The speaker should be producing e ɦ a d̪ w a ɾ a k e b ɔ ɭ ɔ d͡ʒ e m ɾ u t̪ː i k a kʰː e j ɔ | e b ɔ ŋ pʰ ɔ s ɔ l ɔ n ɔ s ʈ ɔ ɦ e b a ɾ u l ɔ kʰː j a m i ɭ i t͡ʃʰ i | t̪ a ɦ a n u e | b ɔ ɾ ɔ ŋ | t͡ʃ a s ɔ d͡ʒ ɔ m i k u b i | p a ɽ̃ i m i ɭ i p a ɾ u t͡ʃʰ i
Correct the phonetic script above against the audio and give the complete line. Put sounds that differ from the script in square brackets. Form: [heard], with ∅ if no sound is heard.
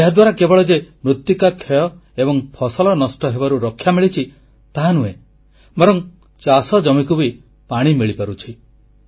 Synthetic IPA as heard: e ɦ a d̪ w a ɾ a k e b ɔ ɭ ɔ d͡ʒ e m ɾ u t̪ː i k a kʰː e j ɔ | e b ɔ ŋ pʰ ɔ s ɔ l ɔ n ɔ s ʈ ɔ ɦ e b a ɾ u [ɾ] ɔ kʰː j a m i ɭ i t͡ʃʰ i | t̪ a ɦ a n u e | b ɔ ɾ ɔ ŋ | t͡ʃ a s ɔ d͡ʒ ɔ m i k u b i | p a ɽ̃ i m i ɭ i p a ɾ u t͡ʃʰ i